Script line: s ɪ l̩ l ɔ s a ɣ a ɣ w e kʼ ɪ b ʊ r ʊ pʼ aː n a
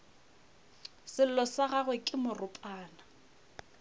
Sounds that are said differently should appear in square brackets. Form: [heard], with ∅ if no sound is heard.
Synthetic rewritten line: s ɪ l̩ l ɔ s a ɣ a ɣ w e kʼ ɪ [m] ʊ r ʊ pʼ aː n a